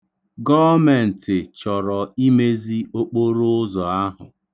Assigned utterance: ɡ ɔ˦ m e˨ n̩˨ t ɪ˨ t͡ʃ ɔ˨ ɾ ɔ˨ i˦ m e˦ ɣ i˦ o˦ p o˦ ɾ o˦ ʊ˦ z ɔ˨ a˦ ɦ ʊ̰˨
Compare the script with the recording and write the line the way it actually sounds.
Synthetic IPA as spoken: ɡ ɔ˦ m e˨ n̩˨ t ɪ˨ t͡ʃ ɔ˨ ɾ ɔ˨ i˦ m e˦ z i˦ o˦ k͡p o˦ ɾ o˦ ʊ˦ z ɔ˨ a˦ ɦ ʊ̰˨